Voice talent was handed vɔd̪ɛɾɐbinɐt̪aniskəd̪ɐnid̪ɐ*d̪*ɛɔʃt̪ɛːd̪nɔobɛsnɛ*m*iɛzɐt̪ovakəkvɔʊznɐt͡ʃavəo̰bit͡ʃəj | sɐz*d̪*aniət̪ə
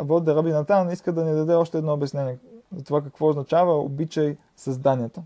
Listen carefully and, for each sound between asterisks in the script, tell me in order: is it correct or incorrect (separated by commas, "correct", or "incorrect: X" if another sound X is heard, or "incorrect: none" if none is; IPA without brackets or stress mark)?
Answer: correct, incorrect: n, correct